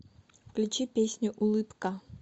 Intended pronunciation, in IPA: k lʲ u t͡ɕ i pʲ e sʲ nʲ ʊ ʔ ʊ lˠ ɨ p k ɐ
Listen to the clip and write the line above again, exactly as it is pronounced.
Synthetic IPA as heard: k lʲ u t͡ɕ i pʲ e sʲ nʲ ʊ ʔ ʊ lˠ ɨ p k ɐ

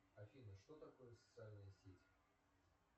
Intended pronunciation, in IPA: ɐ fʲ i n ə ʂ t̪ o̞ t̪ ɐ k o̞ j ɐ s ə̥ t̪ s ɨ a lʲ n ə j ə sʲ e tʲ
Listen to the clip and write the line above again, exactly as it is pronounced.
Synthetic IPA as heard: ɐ fʲ i n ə ʂ t̪ o̞ t̪ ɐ k o̞ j ə s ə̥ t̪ s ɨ a lʲ n ə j ə sʲ e tʲ

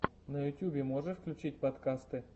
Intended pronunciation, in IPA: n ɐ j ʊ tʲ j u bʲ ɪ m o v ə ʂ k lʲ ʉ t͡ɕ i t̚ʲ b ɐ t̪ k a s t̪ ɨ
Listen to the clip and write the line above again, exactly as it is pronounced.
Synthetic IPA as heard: n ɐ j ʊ tʲ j u bʲ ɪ m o ʐ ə f k lʲ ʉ t͡ɕ i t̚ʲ p ɐ t̪ k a s t̪ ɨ

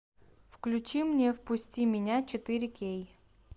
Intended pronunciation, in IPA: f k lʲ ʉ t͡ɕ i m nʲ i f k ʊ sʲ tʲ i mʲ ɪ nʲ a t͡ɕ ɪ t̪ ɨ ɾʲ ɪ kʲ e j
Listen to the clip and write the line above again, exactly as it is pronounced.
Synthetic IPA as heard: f k lʲ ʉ t͡ɕ i m nʲ e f p ʊ sʲ tʲ i mʲ ɪ nʲ a t͡ɕ ɪ t̪ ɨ ɾʲ ɪ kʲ e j

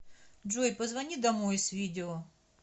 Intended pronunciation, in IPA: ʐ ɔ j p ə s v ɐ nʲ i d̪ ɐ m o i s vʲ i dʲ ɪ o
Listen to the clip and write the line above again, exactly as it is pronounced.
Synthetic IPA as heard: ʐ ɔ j p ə z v ɐ nʲ i d̪ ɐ m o j s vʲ i dʲ ɪ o

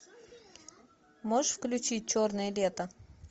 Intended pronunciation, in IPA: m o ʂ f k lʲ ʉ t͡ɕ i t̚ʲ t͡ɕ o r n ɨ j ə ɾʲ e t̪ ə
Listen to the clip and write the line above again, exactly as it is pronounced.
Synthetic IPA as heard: m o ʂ f k lʲ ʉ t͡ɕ i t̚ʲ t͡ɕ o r n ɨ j ə lʲ e t̪ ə

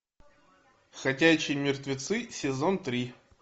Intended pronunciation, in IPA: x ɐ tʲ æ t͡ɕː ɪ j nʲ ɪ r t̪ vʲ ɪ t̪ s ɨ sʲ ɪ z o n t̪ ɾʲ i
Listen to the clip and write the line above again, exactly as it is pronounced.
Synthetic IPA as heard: x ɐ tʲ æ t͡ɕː ɪ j mʲ ɪ r t̪ vʲ ɪ t̪ s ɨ sʲ ɪ z o n t̪ ɾʲ i

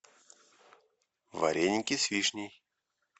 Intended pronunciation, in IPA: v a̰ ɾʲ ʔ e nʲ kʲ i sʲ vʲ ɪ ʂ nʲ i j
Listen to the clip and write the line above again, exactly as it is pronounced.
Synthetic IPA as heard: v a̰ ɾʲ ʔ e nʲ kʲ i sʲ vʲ i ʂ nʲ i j

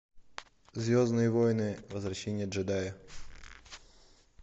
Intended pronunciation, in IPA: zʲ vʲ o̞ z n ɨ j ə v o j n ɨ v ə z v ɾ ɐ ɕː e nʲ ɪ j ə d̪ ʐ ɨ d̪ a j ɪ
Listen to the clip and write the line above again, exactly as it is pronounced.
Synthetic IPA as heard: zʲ vʲ o̞ z n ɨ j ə v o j n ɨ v ə z v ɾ ɐ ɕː e nʲ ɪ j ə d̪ ʐ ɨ d̪ a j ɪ

